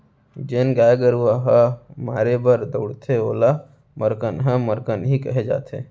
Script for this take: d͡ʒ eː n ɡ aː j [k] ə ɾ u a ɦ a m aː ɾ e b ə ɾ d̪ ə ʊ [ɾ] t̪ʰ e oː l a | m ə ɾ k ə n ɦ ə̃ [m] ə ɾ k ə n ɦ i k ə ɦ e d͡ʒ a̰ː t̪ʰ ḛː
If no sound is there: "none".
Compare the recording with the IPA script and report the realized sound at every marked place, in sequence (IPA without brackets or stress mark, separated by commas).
ɡ, ɽ, m